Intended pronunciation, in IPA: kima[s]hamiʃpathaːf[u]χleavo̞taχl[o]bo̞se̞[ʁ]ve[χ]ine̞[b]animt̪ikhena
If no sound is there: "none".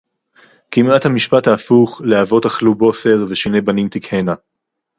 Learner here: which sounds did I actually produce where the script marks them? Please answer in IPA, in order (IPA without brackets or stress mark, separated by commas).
t, u, u, ʁ, ʃ, b